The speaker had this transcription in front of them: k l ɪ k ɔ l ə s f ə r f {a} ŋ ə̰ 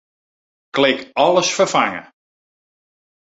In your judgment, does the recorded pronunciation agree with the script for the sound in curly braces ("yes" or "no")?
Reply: yes